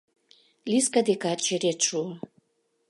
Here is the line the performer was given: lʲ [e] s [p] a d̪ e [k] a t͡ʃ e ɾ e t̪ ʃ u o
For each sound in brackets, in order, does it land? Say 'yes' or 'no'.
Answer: no, no, yes

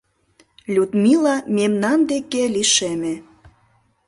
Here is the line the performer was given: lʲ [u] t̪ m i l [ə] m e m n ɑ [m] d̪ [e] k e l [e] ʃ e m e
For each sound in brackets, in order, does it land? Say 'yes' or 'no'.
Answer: yes, no, no, yes, no

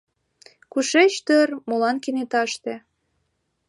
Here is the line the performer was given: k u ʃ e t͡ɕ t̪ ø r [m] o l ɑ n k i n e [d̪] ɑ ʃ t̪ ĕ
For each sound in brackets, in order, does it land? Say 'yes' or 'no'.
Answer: yes, no

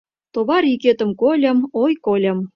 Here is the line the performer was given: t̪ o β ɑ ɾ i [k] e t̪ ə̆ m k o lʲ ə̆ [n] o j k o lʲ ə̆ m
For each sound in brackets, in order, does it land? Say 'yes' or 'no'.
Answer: yes, no

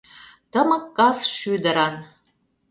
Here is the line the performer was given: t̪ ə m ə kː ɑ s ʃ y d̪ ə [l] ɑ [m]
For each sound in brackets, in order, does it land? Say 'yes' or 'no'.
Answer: no, no

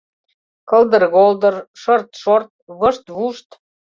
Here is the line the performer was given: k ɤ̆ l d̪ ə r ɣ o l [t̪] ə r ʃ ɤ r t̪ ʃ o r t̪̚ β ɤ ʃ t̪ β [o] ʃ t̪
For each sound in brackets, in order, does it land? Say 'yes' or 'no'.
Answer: no, no

